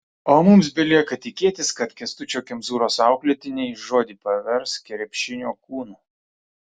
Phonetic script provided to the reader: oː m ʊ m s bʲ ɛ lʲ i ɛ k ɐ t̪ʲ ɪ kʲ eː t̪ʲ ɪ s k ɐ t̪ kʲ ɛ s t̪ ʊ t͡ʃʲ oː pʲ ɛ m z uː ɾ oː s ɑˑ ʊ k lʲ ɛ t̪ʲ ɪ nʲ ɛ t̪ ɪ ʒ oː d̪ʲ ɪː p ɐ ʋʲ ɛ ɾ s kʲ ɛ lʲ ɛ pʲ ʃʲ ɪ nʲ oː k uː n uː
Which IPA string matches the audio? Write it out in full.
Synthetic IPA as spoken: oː m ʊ m s bʲ ɛ lʲ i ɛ k ɐ t̪ʲ ɪ kʲ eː t̪ʲ ɪ s k ɐ t̪ kʲ ɛ s t̪ ʊ t͡ʃʲ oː kʲ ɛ m z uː ɾ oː s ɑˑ ʊ k lʲ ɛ t̪ʲ ɪ nʲ ɛ ɪ ʒ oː d̪ʲ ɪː p ɐ ʋʲ ɛ ɾ s kʲ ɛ ɾʲ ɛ pʲ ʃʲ ɪ nʲ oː k uː n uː